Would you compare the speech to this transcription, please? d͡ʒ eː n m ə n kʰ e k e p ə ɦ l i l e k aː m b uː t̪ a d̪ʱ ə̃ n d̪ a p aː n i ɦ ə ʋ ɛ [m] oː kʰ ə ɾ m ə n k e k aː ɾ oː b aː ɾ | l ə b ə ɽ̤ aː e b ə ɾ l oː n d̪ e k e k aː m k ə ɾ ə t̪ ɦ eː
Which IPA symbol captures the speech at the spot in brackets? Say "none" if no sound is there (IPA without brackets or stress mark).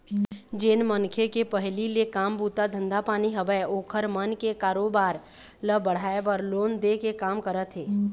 none